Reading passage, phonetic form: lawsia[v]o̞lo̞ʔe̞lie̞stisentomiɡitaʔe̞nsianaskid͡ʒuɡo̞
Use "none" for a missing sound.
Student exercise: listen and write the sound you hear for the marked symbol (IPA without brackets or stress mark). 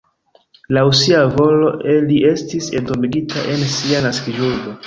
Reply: v